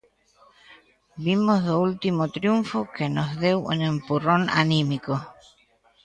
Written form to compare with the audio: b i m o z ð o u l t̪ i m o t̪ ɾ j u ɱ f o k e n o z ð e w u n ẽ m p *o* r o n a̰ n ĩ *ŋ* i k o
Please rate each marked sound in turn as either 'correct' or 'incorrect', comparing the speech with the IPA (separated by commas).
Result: incorrect, incorrect